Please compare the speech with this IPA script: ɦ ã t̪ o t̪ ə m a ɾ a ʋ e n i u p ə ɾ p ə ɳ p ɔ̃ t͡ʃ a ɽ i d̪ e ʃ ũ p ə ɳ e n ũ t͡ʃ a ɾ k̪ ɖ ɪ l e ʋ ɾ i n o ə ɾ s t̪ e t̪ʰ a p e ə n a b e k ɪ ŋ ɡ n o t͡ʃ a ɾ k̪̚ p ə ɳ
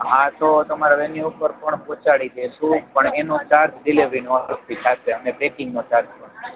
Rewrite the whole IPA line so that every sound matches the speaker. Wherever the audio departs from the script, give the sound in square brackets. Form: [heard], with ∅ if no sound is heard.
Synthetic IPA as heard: ɦ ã t̪ o t̪ ə m a ɾ a ʋ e n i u p ə ɾ p ə ɳ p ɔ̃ t͡ʃ a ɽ i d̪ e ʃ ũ p ə ɳ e n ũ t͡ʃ a ɾ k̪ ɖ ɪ l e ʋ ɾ i n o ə ɾ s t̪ [i] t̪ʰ a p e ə n [e] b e k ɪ ŋ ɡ n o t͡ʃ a ɾ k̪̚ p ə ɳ